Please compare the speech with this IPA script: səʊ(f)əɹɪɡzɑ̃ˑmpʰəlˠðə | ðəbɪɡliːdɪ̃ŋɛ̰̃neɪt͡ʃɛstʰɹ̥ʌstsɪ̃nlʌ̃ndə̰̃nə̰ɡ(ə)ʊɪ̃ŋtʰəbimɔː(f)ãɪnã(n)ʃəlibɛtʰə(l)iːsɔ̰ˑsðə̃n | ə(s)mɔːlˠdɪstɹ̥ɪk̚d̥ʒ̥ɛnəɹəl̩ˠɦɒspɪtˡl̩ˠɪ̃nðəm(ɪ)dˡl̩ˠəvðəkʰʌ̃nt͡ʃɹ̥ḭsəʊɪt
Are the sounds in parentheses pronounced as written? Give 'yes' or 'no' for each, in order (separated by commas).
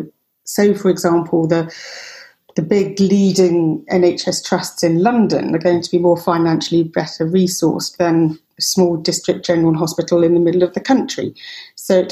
yes, yes, yes, yes, no, yes, yes